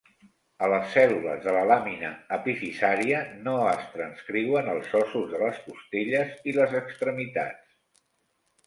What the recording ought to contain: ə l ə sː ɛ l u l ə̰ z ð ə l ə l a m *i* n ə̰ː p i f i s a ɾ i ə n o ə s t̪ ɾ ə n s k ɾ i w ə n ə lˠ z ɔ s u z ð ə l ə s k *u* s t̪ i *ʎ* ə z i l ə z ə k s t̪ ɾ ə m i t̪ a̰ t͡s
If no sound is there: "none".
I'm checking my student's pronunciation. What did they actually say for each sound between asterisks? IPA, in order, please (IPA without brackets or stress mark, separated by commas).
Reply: i, u, ʎ